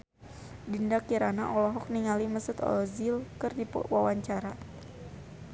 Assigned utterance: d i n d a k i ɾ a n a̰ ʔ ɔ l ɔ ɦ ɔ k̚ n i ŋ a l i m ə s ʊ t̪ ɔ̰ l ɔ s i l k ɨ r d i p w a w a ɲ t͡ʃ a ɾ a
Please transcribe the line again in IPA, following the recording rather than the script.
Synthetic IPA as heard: d i n d a k i ɾ a n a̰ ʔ ɔ l ɔ ɦ ɔ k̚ n i ŋ a l i m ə s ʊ t̪ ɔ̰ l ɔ z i l k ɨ r d i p w a w a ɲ t͡ʃ a ɾ a